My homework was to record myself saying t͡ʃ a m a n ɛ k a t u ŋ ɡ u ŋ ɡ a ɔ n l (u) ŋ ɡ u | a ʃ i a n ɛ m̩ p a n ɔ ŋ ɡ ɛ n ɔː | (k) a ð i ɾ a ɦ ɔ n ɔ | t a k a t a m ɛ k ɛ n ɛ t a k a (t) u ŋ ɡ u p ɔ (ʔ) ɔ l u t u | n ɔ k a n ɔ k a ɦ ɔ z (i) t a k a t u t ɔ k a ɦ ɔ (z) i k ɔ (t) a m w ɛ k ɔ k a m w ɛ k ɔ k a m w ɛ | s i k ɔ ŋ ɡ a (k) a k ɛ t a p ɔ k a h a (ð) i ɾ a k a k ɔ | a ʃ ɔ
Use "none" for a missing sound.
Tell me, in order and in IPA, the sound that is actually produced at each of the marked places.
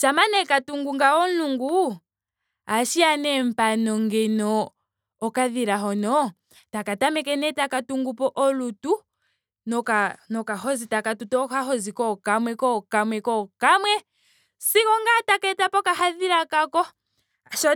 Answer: u, k, t, ʔ, i, z, k, t, ð

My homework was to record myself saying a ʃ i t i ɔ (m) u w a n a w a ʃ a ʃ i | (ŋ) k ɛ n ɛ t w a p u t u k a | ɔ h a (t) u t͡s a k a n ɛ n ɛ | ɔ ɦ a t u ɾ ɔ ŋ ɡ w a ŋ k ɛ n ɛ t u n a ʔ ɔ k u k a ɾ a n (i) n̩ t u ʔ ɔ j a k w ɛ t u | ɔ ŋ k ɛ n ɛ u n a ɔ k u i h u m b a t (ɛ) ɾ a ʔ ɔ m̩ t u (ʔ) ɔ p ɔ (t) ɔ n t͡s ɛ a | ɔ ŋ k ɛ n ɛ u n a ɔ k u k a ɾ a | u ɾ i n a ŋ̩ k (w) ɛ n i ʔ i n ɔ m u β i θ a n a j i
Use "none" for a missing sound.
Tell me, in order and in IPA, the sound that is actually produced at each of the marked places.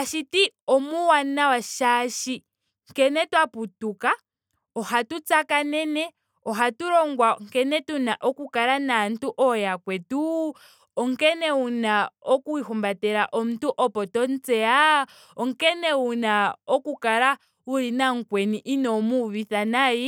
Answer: m, ŋ, t, a, ɛ, ʔ, t, w

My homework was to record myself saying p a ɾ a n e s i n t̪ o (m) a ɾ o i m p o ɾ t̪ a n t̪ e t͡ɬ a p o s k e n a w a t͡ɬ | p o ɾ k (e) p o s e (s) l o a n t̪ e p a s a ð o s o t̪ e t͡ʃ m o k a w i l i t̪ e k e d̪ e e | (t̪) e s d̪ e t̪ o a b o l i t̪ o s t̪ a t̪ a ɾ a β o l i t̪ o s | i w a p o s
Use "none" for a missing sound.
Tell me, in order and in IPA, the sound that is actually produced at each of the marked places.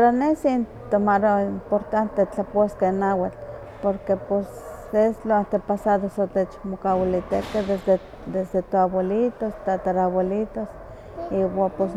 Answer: m, e, s, d̪

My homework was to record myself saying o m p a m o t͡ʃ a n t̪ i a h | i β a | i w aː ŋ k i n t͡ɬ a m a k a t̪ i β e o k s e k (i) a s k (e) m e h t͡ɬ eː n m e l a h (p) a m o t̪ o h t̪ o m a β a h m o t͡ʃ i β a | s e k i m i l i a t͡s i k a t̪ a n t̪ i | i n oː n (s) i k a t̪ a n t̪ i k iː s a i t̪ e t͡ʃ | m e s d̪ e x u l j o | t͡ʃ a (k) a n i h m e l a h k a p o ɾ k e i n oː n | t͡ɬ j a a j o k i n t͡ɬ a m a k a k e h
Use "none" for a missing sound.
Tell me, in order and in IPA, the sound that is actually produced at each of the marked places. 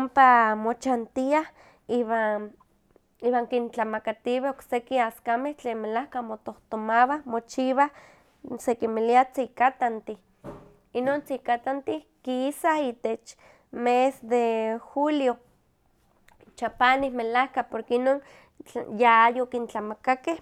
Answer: i, a, k, t͡s, p

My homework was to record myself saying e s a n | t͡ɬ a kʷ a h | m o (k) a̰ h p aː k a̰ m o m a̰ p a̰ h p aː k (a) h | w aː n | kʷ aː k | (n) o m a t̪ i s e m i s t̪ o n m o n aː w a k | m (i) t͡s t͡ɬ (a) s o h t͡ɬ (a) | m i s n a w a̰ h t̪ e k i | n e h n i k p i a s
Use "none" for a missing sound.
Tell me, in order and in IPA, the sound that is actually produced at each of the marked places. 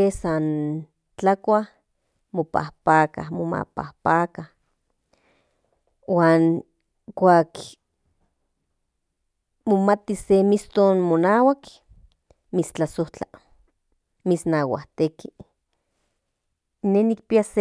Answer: p, a, m, i, a, a

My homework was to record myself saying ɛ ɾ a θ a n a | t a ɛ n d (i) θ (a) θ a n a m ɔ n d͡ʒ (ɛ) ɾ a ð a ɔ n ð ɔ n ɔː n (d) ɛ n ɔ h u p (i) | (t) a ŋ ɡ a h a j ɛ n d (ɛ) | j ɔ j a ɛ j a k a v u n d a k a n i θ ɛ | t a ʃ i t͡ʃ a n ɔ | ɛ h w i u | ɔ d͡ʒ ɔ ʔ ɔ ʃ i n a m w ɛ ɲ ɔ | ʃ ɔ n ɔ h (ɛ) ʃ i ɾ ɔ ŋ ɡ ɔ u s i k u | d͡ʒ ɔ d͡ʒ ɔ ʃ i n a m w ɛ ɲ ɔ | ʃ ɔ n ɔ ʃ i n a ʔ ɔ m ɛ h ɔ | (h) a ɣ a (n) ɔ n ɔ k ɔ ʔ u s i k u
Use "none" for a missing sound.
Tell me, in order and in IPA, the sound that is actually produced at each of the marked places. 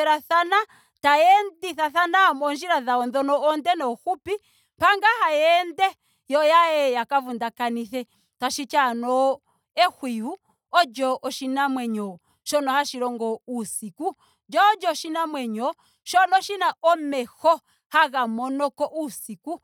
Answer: i, a, i, d, i, p, ɛ, a, h, m

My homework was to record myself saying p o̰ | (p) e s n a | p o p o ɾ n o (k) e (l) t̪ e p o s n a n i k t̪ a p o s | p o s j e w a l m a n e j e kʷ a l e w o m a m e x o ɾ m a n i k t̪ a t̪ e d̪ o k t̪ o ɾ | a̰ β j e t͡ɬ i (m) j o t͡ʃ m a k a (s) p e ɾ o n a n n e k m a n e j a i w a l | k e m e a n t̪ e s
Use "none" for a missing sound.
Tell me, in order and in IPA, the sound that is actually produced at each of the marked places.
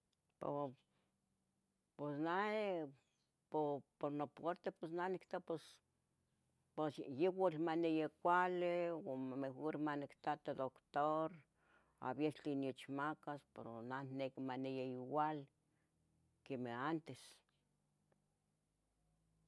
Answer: p, p, ɾ, n, s

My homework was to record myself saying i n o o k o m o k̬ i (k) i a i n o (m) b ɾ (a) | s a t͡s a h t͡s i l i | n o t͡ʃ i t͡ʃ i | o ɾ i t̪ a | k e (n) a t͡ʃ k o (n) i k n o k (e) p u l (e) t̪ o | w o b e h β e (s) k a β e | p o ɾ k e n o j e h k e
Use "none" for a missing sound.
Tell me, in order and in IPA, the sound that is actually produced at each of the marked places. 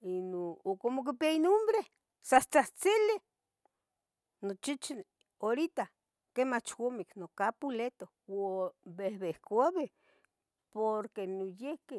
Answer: p, m, e, m, m, a, e, h

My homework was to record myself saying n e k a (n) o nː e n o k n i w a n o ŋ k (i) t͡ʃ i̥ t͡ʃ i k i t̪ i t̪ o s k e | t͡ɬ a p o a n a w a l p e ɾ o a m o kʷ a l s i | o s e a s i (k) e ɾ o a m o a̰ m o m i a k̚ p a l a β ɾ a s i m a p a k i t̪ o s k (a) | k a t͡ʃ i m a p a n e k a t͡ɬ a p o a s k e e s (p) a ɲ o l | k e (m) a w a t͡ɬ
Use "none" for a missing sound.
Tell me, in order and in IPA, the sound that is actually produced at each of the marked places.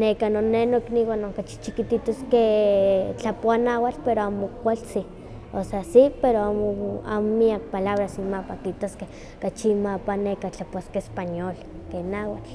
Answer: n, a, p, e, p, n

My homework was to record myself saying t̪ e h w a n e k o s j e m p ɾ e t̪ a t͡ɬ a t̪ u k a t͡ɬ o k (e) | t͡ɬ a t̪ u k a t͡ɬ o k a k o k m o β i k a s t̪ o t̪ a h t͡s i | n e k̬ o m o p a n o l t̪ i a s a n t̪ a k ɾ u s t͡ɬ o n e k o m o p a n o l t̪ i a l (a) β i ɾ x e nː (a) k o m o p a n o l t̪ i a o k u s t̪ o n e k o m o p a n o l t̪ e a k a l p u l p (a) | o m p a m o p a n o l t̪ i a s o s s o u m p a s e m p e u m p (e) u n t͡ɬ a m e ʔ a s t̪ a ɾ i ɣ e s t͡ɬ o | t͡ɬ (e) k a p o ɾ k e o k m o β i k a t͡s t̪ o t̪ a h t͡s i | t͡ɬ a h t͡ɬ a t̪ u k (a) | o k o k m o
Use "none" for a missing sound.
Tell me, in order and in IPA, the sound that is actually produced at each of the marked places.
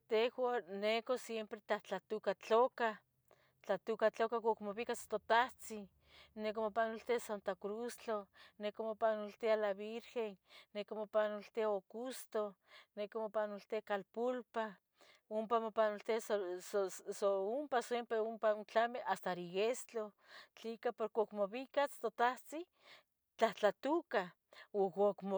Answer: a, a, e, a, a, i, a

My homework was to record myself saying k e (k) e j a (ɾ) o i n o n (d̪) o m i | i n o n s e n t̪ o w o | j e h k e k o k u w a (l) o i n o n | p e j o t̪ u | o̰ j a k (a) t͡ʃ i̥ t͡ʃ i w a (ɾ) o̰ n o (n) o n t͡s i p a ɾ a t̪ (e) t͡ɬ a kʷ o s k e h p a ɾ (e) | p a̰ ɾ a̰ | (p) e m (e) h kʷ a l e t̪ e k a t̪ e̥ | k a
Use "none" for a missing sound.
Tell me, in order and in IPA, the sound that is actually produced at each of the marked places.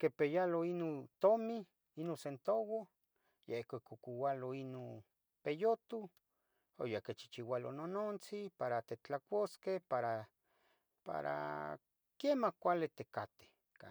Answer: p, l, t̪, l, e, l, n, e, a, k, a

